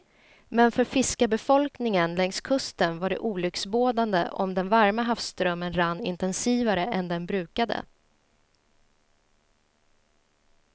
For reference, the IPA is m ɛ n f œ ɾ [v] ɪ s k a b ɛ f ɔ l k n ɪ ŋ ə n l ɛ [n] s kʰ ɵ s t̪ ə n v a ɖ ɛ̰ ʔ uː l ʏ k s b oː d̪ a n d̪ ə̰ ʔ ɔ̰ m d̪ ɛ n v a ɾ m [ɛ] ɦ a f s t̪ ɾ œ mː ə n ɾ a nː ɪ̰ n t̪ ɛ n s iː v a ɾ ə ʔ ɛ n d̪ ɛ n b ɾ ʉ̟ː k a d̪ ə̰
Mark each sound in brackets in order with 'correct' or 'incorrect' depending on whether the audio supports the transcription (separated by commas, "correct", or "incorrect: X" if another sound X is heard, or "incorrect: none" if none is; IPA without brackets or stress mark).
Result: incorrect: f, incorrect: ŋ, incorrect: a